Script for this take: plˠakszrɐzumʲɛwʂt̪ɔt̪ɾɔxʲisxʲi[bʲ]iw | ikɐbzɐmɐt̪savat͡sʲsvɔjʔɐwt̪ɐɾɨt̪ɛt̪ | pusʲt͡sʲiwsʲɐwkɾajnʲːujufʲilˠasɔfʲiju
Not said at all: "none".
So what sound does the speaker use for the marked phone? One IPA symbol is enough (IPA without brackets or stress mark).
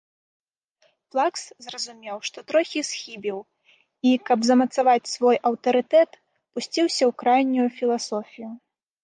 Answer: bʲ